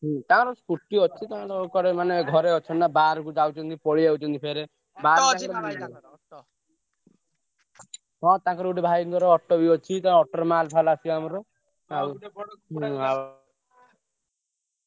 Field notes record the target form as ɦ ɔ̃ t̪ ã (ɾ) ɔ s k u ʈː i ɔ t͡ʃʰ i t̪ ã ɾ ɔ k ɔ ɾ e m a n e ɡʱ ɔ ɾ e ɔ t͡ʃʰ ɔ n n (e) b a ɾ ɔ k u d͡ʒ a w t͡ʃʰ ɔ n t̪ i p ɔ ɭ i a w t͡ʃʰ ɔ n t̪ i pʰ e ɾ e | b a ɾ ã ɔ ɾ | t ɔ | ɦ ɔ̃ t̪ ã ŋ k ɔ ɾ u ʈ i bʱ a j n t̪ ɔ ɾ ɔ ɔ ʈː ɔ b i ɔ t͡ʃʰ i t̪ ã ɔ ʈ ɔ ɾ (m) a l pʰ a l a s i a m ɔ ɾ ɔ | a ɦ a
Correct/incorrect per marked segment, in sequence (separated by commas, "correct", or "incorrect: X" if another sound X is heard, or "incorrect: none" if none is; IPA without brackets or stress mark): correct, incorrect: a, correct